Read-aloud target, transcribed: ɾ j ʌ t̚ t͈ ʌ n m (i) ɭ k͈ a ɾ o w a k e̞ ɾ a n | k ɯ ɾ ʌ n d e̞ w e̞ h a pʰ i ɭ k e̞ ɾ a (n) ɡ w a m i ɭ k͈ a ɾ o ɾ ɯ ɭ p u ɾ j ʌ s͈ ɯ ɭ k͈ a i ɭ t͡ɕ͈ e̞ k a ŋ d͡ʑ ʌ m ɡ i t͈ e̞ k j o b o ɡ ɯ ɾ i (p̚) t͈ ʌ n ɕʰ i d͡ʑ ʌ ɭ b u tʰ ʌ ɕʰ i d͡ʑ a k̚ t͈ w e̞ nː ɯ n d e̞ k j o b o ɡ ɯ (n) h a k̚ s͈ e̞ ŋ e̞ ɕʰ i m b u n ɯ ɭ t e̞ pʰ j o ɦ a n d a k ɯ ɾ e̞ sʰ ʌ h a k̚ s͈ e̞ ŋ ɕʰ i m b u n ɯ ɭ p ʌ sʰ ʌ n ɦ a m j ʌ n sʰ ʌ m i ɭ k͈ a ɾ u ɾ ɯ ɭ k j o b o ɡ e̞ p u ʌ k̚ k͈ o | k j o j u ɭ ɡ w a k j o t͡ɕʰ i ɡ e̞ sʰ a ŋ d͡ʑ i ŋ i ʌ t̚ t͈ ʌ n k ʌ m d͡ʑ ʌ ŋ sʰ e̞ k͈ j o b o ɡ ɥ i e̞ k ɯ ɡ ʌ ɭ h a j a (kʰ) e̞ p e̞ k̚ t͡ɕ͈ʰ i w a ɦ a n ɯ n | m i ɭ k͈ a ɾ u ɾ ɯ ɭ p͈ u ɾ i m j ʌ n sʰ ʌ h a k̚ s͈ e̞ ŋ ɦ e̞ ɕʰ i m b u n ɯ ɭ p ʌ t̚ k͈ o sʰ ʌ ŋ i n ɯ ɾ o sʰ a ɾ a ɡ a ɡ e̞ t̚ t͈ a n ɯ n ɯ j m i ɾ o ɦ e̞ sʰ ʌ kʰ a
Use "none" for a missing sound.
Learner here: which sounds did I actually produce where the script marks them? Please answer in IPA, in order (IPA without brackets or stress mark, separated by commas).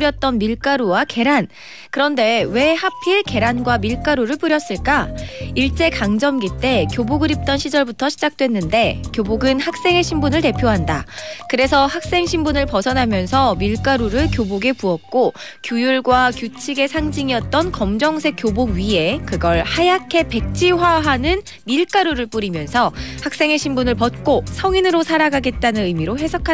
i, n, p̚, n, kʰ